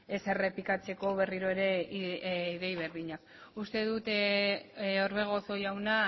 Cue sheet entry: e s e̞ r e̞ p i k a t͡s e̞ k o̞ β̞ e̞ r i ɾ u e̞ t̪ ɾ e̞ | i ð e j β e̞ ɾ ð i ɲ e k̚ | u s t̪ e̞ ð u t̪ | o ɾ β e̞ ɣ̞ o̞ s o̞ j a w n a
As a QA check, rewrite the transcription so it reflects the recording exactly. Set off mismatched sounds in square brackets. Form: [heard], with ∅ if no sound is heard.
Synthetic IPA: e s e̞ r e̞ p i k a t͡s e̞ k o̞ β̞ e̞ r i ɾ [o] e̞ [∅] ɾ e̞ | i ð e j β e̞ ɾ ð i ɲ [a] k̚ | u s t̪ e̞ ð u t̪ | o ɾ β e̞ ɣ̞ o̞ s o̞ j a w n a